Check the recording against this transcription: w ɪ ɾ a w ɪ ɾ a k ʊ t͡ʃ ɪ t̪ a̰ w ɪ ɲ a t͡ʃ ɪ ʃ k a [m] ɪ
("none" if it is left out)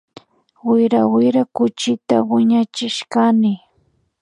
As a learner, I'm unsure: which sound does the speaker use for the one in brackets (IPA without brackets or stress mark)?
n